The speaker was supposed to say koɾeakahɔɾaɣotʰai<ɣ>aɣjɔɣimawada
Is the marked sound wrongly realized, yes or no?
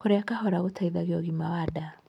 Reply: yes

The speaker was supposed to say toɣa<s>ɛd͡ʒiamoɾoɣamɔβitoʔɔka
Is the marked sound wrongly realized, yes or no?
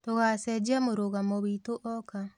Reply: no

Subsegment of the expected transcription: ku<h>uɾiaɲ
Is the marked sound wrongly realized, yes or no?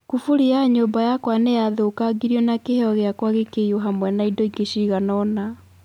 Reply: yes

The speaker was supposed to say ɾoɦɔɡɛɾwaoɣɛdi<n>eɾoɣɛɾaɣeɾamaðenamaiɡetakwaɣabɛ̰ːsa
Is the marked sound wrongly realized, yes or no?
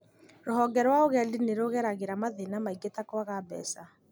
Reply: no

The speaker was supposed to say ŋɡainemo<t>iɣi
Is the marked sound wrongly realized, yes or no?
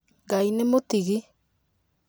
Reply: no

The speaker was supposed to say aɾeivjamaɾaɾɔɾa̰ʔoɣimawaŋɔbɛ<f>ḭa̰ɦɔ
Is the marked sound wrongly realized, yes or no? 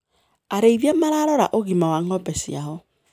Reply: yes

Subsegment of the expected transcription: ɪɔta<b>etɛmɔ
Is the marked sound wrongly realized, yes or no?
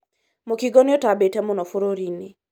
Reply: no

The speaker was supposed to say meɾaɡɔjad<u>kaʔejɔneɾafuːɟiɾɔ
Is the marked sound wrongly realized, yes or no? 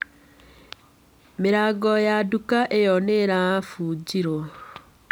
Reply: no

